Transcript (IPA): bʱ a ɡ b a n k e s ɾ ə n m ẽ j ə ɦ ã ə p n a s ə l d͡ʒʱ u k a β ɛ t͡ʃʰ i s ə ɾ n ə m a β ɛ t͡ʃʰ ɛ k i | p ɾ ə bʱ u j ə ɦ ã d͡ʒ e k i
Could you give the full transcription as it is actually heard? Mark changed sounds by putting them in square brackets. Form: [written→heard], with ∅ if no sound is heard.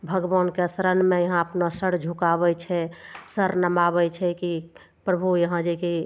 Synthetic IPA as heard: bʱ [a→ə] ɡ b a n k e s ɾ ə n m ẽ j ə ɦ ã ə p n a s ə [l→ɽ] d͡ʒʱ u k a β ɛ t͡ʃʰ [i→ɛ] s ə ɾ n ə m a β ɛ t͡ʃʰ ɛ k i | p ɾ ə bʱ u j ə ɦ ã d͡ʒ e k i